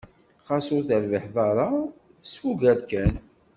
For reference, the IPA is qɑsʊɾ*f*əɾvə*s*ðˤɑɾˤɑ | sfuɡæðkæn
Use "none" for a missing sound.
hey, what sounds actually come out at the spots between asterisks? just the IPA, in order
θ, ħ

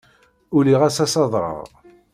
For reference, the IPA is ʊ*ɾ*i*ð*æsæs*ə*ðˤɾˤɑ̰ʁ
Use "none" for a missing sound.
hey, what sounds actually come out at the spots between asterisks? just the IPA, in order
l, ʁ, ɑ

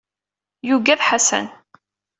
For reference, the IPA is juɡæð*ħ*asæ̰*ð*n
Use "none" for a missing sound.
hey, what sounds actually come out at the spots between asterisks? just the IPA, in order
ħ, none

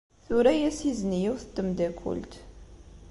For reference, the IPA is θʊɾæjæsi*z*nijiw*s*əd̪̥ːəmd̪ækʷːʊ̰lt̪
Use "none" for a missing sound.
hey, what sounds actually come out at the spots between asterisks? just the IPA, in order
z, θ

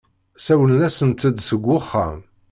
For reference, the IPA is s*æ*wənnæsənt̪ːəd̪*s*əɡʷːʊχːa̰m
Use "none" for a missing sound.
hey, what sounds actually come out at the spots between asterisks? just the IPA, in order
æ, s

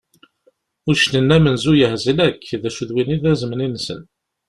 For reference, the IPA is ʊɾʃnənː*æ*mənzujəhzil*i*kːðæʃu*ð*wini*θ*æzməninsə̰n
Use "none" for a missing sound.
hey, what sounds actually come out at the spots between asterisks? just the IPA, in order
æ, æ, ð, ð

